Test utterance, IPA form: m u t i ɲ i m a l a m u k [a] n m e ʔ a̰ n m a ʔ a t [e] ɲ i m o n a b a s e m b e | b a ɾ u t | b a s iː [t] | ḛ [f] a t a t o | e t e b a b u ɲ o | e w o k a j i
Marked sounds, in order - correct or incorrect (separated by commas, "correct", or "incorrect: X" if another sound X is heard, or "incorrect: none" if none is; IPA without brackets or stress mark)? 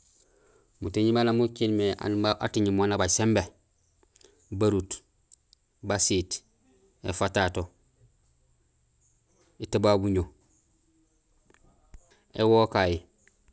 incorrect: i, incorrect: i, correct, correct